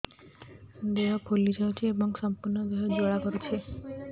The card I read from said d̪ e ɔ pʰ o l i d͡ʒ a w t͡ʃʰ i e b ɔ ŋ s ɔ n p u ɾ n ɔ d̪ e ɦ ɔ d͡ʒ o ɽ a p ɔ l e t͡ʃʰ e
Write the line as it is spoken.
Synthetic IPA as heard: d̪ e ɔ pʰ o l i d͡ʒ a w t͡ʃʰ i e b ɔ ŋ s ɔ m p u ɾ n ɔ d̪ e ɦ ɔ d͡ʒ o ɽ a k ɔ ɾ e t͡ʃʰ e